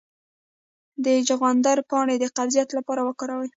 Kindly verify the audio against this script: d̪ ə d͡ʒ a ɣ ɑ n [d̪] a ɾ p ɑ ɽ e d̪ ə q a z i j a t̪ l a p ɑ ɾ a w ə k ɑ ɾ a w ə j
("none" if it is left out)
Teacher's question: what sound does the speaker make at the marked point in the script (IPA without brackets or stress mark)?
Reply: d̪